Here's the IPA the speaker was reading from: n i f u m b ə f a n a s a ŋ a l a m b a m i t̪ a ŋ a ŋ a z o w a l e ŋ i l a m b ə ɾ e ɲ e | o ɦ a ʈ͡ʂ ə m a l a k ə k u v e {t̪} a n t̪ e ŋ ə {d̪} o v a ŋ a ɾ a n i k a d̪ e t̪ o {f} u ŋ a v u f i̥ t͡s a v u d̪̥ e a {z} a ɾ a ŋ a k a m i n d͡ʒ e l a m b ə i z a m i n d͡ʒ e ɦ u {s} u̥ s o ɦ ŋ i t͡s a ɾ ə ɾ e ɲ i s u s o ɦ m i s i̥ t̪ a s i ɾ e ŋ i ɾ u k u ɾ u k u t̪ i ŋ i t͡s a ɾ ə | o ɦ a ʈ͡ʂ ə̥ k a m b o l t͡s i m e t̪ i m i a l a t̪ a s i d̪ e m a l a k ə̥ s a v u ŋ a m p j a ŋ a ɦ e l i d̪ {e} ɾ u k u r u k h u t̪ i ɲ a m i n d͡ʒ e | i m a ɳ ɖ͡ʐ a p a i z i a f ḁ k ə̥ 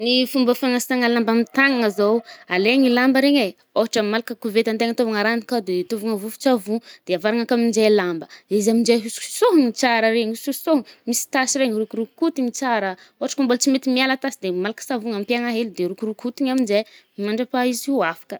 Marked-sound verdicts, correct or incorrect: correct, incorrect: t̪, incorrect: v, incorrect: v, correct, correct

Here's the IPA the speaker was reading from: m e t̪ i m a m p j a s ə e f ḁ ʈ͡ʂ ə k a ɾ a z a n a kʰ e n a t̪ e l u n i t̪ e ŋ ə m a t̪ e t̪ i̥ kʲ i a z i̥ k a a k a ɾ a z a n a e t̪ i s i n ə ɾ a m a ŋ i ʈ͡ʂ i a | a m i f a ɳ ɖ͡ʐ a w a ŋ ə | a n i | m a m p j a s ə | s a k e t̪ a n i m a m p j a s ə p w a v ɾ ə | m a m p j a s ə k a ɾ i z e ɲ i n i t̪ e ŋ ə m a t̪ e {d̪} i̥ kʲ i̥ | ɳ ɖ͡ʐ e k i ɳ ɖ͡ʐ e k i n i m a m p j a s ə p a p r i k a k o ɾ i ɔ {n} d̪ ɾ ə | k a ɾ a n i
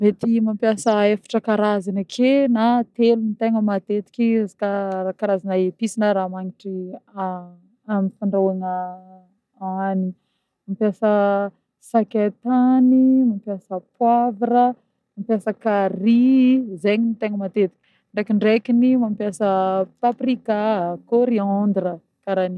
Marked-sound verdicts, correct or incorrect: incorrect: t̪, correct

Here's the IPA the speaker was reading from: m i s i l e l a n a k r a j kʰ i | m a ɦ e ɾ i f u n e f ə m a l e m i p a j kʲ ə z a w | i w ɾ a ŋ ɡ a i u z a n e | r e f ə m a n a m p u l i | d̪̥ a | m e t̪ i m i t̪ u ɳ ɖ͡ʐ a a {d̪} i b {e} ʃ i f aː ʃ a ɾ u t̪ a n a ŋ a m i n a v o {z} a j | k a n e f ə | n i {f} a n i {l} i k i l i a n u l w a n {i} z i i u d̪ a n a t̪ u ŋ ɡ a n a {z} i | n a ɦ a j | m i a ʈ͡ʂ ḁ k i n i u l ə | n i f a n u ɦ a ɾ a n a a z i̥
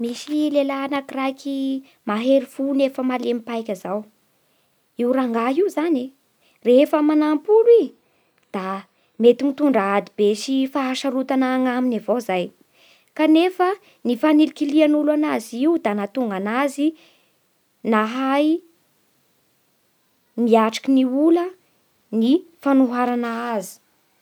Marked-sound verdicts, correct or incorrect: correct, correct, correct, correct, correct, incorrect: a, correct

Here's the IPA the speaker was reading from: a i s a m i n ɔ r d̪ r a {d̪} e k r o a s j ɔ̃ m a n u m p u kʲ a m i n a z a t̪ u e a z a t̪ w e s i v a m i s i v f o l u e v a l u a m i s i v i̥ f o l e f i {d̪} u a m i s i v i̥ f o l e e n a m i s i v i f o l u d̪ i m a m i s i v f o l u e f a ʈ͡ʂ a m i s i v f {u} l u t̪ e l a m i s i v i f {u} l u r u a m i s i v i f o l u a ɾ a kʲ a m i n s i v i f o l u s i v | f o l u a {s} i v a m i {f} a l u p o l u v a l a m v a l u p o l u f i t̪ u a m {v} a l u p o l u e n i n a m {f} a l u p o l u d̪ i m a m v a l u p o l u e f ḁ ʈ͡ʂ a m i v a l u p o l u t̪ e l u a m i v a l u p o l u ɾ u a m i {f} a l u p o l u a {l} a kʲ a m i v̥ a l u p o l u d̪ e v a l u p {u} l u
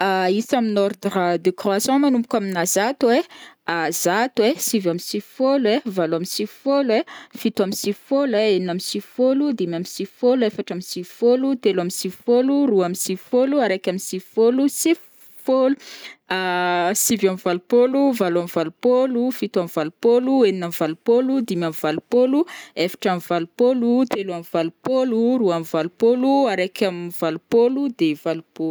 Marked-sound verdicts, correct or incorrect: correct, incorrect: t̪, incorrect: o, incorrect: o, correct, incorrect: v, correct, incorrect: v, incorrect: v, incorrect: ɾ, incorrect: o

